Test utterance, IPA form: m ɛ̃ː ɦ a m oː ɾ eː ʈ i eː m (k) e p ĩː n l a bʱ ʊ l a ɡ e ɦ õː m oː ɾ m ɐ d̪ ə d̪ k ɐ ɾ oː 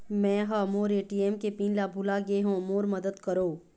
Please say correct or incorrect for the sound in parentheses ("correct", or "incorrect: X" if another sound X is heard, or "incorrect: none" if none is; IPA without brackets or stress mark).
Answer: correct